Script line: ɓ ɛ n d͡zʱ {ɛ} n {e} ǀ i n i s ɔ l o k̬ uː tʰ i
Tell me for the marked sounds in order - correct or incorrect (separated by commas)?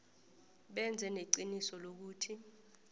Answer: correct, correct